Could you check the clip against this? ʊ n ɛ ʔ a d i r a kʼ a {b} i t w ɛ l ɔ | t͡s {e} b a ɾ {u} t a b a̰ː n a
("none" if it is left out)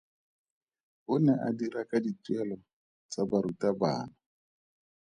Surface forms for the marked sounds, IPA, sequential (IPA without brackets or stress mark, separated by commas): d, a, u